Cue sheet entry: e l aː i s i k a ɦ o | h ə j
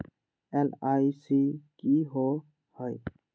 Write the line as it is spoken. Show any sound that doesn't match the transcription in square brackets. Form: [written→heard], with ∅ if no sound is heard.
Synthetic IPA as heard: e l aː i s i k [a→i] ɦ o | h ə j